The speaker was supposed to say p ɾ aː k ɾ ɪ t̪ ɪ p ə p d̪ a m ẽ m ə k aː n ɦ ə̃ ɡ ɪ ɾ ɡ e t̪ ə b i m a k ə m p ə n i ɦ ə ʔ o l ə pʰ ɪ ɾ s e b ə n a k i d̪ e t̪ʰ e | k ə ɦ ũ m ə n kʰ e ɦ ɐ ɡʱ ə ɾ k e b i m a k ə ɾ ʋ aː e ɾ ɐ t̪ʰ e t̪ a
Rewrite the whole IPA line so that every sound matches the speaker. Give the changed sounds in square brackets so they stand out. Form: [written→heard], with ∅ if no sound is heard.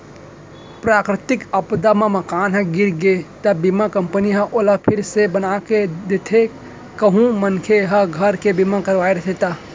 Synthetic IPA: p ɾ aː k ɾ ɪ t̪ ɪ [p→k] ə p d̪ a m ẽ m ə k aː n ɦ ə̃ ɡ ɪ ɾ ɡ e t̪ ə b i m a k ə m p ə n i ɦ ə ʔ o l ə pʰ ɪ ɾ s e b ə n a k [i→e] d̪ e t̪ʰ e | k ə ɦ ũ m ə n kʰ e ɦ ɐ ɡʱ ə ɾ k e b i m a k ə ɾ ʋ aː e ɾ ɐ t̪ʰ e t̪ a